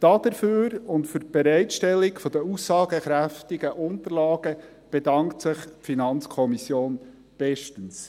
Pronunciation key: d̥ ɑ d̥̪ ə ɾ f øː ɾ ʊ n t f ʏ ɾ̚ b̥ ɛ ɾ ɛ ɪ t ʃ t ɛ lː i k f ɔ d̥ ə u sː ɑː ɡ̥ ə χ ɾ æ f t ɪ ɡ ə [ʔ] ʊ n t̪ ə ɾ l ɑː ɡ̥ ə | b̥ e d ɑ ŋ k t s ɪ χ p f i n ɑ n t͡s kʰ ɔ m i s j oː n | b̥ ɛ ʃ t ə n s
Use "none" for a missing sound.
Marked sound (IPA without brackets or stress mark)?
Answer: ʔ